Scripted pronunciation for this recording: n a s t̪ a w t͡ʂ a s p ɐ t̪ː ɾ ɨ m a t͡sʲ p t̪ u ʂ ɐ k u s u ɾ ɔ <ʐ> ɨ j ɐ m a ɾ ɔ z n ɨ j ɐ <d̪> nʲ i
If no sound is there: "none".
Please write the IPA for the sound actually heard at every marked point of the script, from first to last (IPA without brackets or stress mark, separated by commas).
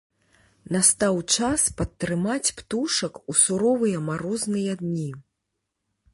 v, d̪